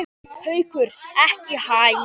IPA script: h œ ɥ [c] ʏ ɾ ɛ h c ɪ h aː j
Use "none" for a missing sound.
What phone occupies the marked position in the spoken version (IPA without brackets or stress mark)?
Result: k